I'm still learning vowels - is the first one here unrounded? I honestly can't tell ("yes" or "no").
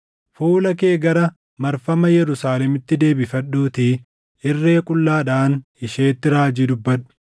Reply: no